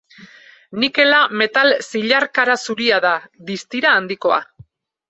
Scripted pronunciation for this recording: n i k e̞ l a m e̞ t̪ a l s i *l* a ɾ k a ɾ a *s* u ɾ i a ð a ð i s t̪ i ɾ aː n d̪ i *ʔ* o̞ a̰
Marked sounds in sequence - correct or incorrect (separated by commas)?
incorrect, correct, incorrect